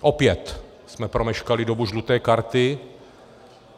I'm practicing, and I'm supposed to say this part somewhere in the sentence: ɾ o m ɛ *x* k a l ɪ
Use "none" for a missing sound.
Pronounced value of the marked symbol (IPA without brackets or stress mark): ʃ